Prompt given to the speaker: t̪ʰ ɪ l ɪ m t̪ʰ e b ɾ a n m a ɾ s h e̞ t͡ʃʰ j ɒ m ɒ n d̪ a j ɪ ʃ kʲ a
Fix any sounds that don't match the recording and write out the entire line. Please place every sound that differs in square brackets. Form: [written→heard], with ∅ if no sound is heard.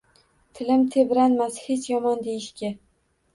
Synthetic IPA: t̪ʰ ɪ l ɪ m t̪ʰ e b ɾ a n m a [ɾ→∅] s h e̞ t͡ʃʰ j ɒ m ɒ n d̪ [a→e] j ɪ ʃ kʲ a